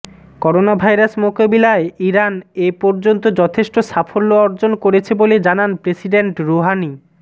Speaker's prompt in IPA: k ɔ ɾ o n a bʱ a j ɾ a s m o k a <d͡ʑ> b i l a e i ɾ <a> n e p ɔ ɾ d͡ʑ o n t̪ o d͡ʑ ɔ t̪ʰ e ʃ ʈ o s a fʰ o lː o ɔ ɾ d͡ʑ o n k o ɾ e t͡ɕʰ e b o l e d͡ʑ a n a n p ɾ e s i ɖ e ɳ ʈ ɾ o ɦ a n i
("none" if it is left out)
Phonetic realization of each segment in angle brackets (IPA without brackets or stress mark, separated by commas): none, a